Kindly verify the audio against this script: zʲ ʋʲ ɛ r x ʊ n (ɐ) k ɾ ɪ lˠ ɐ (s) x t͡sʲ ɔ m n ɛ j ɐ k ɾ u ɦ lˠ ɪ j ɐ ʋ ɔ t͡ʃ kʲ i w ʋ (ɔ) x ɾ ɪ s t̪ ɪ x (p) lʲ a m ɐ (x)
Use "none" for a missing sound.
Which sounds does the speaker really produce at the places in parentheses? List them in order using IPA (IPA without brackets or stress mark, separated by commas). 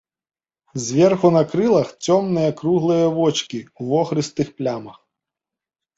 ɐ, none, ɔ, p, x